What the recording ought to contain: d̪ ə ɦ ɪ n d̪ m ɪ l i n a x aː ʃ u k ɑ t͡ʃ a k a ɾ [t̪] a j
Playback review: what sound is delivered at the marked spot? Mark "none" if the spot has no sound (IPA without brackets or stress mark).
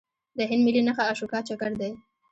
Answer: d̪